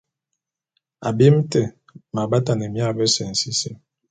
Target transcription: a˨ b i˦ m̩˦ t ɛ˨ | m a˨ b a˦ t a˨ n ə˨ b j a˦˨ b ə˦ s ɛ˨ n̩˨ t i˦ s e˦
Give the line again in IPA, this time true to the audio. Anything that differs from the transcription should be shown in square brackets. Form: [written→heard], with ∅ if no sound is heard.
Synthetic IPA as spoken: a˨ b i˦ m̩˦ t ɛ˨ | m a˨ b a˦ t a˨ n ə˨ [b→m] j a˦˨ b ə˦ s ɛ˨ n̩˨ [t→s] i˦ s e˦